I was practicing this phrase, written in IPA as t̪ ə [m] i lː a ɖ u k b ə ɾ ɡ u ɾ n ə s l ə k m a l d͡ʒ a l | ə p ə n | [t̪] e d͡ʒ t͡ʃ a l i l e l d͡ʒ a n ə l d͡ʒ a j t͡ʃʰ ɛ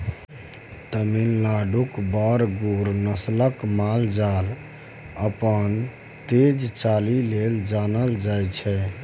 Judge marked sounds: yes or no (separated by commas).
yes, yes